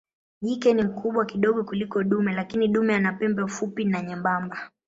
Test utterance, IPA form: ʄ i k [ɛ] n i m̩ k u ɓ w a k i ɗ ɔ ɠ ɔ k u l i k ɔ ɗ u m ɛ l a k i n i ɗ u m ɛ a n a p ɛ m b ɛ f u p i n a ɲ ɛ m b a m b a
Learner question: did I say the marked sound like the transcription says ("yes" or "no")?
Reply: yes